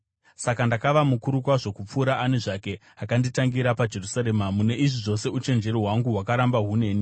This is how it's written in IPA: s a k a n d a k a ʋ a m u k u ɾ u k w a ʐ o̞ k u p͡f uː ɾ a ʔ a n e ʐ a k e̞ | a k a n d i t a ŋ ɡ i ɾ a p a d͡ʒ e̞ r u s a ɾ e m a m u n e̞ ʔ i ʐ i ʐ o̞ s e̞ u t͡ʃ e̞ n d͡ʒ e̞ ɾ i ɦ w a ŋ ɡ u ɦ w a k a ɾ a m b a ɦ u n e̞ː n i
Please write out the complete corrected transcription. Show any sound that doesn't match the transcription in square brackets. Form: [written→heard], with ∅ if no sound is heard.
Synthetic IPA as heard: s a k a n d a k a ʋ a m u k u ɾ u k w a ʐ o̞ k u p͡f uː ɾ a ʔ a n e ʐ a k e̞ | a k a n d i t a ŋ ɡ i ɾ a p a d͡ʒ e̞ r u s a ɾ e m a m u n e̞ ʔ i ʐ i ʐ o̞ s e̞ u t͡ʃ e̞ n d͡ʒ e̞ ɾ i ɦ w a ŋ ɡ u ɦ w a k a ɾ a m b a ɦ u n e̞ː n i

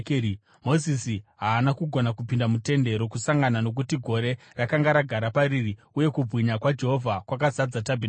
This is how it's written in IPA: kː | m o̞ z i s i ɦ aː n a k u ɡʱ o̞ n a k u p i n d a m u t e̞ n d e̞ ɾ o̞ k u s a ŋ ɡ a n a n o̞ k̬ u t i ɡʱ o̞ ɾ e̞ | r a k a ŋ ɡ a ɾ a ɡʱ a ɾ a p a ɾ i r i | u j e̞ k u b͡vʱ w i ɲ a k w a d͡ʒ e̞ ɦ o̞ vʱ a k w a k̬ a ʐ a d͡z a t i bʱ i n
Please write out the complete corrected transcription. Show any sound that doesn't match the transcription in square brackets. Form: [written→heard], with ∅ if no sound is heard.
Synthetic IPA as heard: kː | m o̞ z i s i ɦ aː n a k u ɡʱ o̞ n a k u p i n d a m u t e̞ n d e̞ ɾ o̞ k u s a ŋ ɡ a n a n o̞ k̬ u t i ɡʱ o̞ ɾ e̞ | r a k a ŋ ɡ a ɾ a ɡʱ a ɾ a p a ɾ i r i | u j e̞ k u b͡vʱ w i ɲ a k w a d͡ʒ e̞ ɦ o̞ vʱ a k w a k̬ a [ʐ→z] a d͡z a t [i→a] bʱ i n

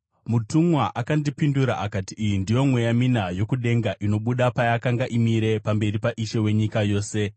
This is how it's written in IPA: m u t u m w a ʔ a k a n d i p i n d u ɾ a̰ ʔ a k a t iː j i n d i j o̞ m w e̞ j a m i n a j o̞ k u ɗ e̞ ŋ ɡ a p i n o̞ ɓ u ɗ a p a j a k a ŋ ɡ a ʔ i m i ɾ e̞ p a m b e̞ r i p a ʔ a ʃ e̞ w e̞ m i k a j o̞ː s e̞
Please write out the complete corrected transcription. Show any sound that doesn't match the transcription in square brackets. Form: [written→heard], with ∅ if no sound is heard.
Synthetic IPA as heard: m u t u m w a ʔ a k a n d i p i n d u ɾ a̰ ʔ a k a t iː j i n d i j o̞ m w e̞ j a m i n a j o̞ k u ɗ e̞ ŋ ɡ a [p→ʔ] i n o̞ ɓ u ɗ a p a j a k a ŋ ɡ a ʔ i m i ɾ e̞ p a m b e̞ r i p a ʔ [a→i] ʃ e̞ w e̞ [m→ɲ] i k a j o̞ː s e̞

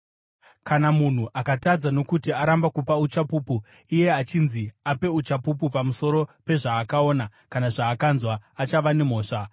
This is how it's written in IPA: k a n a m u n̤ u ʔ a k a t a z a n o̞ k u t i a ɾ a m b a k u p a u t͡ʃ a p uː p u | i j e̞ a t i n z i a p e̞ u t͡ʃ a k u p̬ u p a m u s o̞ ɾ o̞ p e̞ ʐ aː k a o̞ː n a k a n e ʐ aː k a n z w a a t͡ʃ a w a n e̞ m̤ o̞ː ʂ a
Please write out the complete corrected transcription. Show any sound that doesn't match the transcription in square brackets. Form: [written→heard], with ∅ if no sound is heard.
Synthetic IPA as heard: k a n a m u n̤ u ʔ a k a t a [z→d͡z] a n o̞ k u t i a ɾ a m b a k u p a u t͡ʃ a p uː p u | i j e̞ a [t→t͡ʃ] i n z i a p e̞ u t͡ʃ a [k→p] u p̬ u p a m u s o̞ ɾ o̞ p e̞ ʐ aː k a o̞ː n a k a n [e→a] ʐ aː k a n z w a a t͡ʃ a [w→ʋ] a n e̞ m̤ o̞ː ʂ a

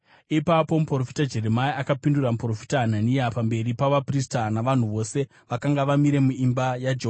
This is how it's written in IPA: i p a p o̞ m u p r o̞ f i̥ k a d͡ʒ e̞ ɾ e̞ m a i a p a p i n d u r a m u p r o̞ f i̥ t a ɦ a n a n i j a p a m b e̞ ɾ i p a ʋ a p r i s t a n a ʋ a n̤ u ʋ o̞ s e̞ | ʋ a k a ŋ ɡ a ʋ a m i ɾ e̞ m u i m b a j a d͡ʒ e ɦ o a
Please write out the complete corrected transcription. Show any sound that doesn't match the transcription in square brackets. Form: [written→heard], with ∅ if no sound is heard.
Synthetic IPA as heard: i p a p o̞ m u p r o̞ f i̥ [k→t] a d͡ʒ e̞ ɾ e̞ m a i a [p→k] a p i n d u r a m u p r o̞ f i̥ t a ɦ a n a n i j a p a m b e̞ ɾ i p a ʋ a p r i s t a n a ʋ a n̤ u ʋ o̞ s e̞ | ʋ a k a ŋ ɡ a ʋ a m i ɾ e̞ m u i m b a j a d͡ʒ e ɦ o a

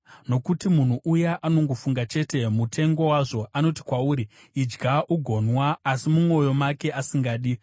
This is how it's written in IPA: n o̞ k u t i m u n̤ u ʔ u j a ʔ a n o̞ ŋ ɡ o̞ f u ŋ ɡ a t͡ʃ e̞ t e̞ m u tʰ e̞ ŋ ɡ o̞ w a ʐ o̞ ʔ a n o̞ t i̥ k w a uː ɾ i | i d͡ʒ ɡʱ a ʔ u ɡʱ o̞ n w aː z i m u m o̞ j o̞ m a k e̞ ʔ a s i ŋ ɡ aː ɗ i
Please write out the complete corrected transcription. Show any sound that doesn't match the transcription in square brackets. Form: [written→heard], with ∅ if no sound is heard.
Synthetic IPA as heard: n o̞ k u t i m u n̤ u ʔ u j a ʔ a n o̞ ŋ ɡ o̞ f u ŋ ɡ a t͡ʃ e̞ t e̞ m u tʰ e̞ ŋ ɡ o̞ w a ʐ o̞ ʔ a n o̞ t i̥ k w a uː ɾ i | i d͡ʒ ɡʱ a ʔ u ɡʱ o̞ n w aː [z→s] i m u m o̞ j o̞ m a k e̞ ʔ a s i ŋ ɡ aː ɗ i

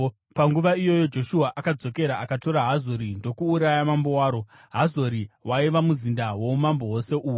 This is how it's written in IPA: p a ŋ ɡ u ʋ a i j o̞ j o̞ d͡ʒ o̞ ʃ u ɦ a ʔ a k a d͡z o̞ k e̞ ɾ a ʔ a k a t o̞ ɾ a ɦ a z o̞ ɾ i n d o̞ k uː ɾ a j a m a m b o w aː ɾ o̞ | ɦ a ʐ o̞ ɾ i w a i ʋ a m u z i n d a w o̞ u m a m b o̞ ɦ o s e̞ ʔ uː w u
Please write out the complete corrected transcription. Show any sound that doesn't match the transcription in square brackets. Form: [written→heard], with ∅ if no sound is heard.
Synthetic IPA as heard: p a ŋ ɡ u ʋ a i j o̞ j o̞ d͡ʒ o̞ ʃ u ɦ a ʔ a k a d͡z o̞ k e̞ ɾ a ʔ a k a t o̞ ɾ a ɦ a z o̞ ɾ i n d o̞ k uː ɾ a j a m a m b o w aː ɾ o̞ | ɦ a [ʐ→z] o̞ ɾ i w a i ʋ a m u z i n d a w o̞ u m a m b o̞ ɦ o s e̞ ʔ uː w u

